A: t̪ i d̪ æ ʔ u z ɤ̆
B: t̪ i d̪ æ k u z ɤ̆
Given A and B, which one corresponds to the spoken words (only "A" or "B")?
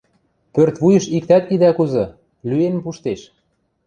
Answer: B